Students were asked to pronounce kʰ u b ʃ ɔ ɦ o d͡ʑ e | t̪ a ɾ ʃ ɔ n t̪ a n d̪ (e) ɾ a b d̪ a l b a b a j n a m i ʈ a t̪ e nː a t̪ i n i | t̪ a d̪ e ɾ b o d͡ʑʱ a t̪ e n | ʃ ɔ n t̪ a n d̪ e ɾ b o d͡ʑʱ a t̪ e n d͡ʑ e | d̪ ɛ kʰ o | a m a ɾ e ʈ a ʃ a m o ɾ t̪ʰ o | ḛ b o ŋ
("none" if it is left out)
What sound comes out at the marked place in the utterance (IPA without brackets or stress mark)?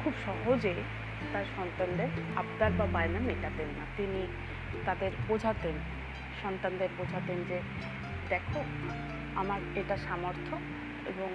e